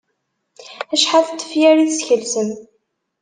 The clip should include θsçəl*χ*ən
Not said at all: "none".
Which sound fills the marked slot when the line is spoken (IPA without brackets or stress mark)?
s